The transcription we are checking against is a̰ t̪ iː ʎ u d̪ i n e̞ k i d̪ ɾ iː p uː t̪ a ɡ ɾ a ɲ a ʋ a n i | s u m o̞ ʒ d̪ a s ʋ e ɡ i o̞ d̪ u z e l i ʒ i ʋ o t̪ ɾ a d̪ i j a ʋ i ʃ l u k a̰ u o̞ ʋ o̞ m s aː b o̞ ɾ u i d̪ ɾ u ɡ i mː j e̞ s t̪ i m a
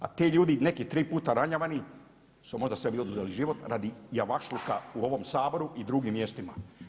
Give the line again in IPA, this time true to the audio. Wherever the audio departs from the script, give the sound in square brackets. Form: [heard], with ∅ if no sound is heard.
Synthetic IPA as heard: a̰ t̪ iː ʎ [uː] d̪ i n e̞ k i [t̪] ɾ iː p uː t̪ a [∅] ɾ a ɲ a ʋ a n i | s u m o̞ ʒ d̪ a s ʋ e [b] i o̞ d̪ u z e l i ʒ i ʋ o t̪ ɾ a d̪ i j a ʋ [a] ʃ l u k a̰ u o̞ ʋ o̞ m s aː b o̞ ɾ u i d̪ ɾ u ɡ i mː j e̞ s t̪ i m a